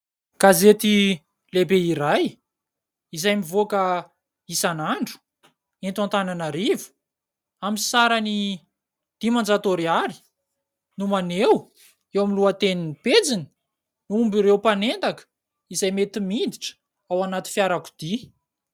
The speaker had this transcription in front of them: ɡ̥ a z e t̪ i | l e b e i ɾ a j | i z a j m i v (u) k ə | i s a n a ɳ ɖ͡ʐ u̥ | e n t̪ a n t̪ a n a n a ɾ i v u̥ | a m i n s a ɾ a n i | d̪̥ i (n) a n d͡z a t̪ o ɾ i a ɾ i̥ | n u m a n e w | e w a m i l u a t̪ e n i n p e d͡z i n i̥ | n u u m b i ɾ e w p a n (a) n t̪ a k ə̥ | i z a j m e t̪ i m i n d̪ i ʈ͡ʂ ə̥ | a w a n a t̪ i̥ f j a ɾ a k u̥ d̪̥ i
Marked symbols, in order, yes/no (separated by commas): no, no, no